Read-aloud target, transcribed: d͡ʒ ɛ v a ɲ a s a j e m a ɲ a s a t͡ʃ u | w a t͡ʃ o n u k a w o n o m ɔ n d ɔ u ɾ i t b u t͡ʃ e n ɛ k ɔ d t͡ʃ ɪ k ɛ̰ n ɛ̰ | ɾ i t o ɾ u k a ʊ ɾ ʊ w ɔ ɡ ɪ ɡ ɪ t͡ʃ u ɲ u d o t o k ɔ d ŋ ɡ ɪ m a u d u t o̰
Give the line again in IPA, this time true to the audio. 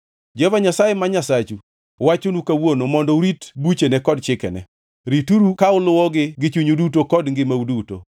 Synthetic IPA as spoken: d͡ʒ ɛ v a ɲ a s a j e m a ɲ a s a t͡ʃ u | w a t͡ʃ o n u k a w o n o m ɔ n d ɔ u ɾ i t b u t͡ʃ e n ɛ k ɔ d t͡ʃ ɪ k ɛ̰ n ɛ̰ | ɾ i t u ɾ u k a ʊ l ʊ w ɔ ɡ ɪ ɡ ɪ t͡ʃ u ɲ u d u t o k ɔ d ŋ ɡ ɪ m a u d u t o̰